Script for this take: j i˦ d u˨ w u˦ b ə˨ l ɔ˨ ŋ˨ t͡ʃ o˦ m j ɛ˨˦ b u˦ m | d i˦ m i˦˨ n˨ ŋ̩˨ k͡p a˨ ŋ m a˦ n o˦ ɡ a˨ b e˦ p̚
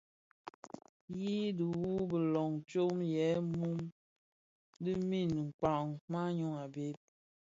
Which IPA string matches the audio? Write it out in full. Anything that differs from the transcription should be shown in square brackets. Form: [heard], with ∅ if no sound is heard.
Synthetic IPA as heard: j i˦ d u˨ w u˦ b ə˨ l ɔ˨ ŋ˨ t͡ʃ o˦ m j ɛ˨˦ [m] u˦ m | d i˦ m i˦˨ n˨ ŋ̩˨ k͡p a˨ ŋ m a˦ [ɲ] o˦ [ŋ] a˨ b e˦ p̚